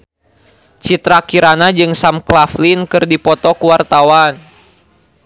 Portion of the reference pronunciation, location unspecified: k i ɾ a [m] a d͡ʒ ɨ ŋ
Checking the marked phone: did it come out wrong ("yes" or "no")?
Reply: yes